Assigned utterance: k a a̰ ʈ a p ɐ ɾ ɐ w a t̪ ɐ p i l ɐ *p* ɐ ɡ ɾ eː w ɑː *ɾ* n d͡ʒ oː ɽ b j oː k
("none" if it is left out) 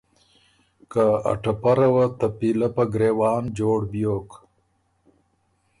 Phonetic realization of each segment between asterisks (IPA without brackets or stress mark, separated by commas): p, none